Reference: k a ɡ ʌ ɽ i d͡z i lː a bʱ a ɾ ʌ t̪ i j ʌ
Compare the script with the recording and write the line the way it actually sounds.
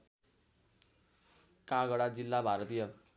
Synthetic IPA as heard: k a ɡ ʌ ɽ a d͡z i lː a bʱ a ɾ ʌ t̪ i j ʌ